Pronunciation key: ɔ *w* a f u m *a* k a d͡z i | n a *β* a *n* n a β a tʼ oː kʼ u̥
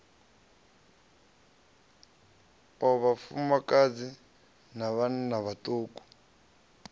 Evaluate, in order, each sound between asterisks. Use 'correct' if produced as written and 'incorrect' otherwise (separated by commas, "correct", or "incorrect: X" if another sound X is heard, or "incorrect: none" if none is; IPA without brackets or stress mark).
incorrect: β, correct, correct, correct